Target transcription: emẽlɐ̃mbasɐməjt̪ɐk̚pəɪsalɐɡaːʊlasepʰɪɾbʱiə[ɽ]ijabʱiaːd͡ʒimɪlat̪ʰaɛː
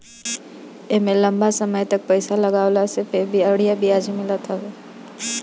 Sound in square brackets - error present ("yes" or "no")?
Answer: no